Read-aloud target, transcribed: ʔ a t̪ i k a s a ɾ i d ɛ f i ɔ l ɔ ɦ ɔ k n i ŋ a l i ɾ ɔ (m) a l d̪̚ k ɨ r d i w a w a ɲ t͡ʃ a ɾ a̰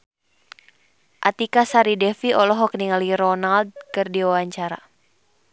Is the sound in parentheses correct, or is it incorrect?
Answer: incorrect